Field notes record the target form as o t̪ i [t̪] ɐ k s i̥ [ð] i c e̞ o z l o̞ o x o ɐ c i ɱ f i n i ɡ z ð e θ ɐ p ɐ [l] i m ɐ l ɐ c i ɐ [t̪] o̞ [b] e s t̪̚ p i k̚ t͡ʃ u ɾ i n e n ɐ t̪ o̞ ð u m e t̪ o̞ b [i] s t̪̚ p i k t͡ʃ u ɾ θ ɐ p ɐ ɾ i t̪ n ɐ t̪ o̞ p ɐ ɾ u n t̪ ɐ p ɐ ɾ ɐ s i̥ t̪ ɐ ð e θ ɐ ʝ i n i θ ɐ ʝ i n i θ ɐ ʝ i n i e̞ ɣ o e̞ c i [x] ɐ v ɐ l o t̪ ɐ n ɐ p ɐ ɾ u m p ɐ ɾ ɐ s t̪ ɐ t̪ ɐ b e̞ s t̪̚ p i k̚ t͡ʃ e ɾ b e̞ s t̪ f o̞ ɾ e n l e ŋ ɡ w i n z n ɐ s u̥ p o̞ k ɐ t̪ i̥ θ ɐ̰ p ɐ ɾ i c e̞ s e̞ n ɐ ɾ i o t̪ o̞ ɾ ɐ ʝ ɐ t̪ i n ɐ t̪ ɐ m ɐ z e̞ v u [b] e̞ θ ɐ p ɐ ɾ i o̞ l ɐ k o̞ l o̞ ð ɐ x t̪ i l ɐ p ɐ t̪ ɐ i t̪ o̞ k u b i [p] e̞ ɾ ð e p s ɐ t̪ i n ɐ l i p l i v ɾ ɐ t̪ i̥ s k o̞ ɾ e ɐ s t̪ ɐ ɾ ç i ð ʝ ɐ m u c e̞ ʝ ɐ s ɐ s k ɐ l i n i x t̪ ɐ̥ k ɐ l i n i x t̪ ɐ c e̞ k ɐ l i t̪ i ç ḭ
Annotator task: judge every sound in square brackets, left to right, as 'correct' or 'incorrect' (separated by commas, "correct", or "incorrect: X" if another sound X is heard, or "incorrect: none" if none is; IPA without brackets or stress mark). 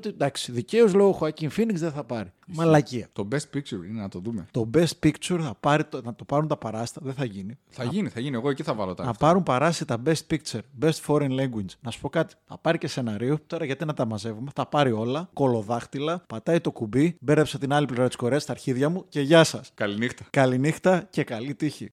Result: incorrect: d̪, correct, incorrect: ɾ, correct, correct, incorrect: e, incorrect: θ, incorrect: m, incorrect: b